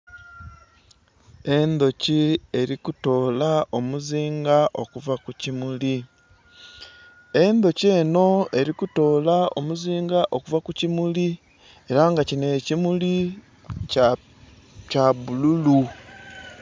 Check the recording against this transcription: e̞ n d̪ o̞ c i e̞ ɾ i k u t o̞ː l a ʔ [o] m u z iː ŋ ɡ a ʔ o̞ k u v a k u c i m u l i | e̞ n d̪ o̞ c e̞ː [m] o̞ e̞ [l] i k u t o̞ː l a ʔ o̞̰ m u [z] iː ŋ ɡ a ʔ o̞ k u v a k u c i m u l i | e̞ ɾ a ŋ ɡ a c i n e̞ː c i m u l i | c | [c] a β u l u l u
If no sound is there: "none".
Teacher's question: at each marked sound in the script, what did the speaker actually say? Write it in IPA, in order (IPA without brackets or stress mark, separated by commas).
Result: o, n, ɾ, z, c